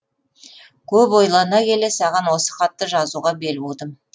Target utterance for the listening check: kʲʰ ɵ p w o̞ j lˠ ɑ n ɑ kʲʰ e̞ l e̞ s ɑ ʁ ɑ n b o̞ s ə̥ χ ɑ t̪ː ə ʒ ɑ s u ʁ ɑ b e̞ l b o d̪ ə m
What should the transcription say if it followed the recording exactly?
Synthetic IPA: kʲʰ ɵ p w o̞ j lˠ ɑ n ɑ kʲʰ e̞ l e̞ s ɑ ʁ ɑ n w o̞ s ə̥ χ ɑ t̪ː ə ʒ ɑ z u ʁ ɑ b e̞ l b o d̪ ə m